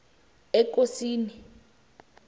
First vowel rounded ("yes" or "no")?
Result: no